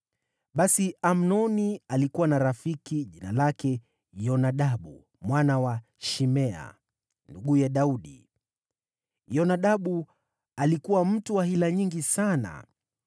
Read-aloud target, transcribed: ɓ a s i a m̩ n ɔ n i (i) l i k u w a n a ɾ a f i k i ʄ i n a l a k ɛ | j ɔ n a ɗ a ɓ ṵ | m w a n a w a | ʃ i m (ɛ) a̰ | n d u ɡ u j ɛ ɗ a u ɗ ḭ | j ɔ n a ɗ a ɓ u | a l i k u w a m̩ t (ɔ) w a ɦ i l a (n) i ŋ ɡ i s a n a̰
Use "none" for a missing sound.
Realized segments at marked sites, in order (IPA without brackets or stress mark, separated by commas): a, ɛ, u, ɲ